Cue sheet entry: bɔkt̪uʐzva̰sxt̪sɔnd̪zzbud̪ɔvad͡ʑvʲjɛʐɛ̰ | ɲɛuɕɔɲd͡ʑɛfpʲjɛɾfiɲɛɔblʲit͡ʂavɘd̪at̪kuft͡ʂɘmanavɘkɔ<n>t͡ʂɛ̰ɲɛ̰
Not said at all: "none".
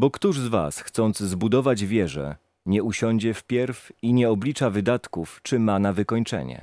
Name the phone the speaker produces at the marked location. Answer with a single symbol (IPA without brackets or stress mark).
ɲ